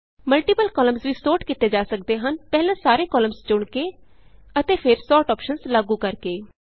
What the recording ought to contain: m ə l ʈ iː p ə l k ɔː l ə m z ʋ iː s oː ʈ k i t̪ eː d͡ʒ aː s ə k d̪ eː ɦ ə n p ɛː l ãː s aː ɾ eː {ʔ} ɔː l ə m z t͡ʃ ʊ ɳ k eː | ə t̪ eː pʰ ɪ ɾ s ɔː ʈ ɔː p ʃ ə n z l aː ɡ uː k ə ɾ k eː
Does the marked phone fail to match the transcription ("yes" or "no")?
yes